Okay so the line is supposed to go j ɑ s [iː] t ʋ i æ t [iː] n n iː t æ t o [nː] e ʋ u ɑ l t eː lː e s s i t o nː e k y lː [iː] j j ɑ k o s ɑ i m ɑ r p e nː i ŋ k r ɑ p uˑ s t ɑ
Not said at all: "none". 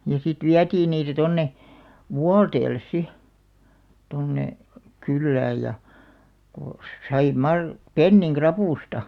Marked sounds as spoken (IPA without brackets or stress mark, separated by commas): i, iː, nː, æː